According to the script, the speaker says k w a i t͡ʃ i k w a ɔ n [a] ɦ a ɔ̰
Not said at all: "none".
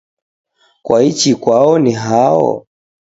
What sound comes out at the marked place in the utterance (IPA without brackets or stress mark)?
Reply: i